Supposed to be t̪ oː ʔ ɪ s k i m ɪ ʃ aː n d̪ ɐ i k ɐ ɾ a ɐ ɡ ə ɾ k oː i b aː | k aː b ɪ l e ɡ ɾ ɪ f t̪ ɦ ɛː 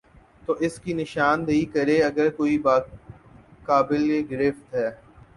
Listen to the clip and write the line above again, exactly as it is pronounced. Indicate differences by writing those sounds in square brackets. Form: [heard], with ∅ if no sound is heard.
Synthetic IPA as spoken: t̪ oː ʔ ɪ s k i [n] ɪ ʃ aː n d̪ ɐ i k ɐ ɾ [e] ɐ ɡ ə ɾ k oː i b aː | k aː b ɪ l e ɡ ɾ ɪ f t̪ ɦ ɛː